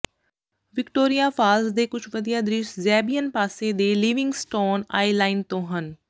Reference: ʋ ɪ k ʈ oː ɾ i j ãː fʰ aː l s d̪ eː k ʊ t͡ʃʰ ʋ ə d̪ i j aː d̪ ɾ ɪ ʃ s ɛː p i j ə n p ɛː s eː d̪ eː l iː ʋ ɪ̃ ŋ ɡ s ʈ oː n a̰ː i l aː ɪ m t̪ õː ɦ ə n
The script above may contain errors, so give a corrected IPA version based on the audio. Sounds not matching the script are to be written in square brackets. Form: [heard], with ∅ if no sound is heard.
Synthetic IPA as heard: ʋ ɪ k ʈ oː ɾ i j [aː] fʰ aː l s d̪ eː k ʊ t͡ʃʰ ʋ ə d̪ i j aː d̪ ɾ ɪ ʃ [z] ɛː [b] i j ə n p [aː] s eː d̪ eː l iː ʋ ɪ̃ ŋ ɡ s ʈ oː n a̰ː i l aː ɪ [n] t̪ õː ɦ ə n